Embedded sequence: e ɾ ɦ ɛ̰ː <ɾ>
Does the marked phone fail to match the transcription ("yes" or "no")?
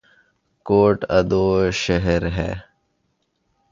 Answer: yes